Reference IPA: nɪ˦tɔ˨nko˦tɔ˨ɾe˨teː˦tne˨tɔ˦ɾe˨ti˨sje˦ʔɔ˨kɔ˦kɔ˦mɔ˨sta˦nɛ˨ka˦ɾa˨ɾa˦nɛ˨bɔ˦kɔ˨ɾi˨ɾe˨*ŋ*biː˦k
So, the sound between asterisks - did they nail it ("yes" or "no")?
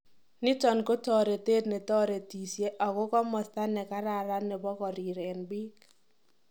no